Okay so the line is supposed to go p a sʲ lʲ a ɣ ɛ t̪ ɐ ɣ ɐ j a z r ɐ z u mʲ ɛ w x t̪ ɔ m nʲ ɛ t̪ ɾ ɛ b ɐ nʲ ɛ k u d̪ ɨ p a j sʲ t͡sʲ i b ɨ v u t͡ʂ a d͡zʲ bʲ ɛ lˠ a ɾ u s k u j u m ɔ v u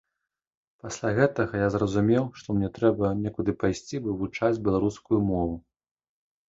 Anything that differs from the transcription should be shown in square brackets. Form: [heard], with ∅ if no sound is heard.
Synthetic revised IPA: p a sʲ lʲ a ɣ ɛ t̪ ɐ ɣ ɐ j a z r ɐ z u mʲ ɛ w [ʂ] t̪ ɔ m nʲ ɛ t̪ ɾ ɛ b ɐ nʲ ɛ k u d̪ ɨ p a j sʲ t͡sʲ i b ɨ v u t͡ʂ a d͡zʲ bʲ ɛ lˠ a ɾ u s k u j u m ɔ v u

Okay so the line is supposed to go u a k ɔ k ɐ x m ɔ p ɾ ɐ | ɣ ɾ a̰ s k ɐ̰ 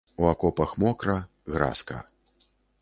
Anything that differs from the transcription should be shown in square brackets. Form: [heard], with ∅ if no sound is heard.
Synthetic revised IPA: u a k ɔ [p] ɐ x m ɔ [k] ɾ ɐ | ɣ ɾ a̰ s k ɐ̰

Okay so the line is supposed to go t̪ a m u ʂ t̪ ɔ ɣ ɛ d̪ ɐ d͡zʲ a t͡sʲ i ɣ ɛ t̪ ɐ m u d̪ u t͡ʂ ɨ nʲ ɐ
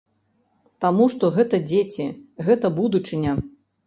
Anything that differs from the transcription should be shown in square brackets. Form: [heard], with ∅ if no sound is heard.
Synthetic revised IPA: t̪ a m u ʂ t̪ ɔ ɣ ɛ [t̪] ɐ d͡zʲ [e] t͡sʲ i ɣ ɛ t̪ ɐ [b] u d̪ u t͡ʂ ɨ nʲ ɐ

